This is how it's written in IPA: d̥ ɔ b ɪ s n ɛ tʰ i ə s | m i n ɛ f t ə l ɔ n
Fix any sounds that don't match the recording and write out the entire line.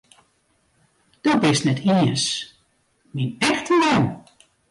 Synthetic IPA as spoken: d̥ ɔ b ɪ s n ɛ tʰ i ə s | m i n ɛ x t ə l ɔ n